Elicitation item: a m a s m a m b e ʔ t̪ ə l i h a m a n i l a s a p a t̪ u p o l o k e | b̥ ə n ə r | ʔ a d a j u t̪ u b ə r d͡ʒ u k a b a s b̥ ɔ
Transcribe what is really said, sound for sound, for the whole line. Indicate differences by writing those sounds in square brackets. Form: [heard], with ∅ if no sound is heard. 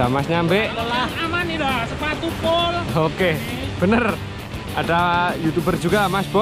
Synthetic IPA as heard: a m a s [ɲ] a m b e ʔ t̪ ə l [a] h a m a n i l a s [ə] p a t̪ u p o l o k e | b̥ ə n ə r | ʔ a d a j u t̪ u b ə r d͡ʒ u [ɡ] a [m] a s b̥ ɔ